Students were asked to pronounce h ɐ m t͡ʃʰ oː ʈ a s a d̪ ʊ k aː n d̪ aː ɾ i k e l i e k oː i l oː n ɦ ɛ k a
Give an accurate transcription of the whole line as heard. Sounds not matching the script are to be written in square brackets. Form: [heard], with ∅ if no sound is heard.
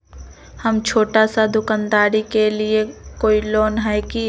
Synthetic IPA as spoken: h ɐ m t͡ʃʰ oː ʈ a s a d̪ ʊ k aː n d̪ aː ɾ i k e l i e k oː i l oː n ɦ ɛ k [i]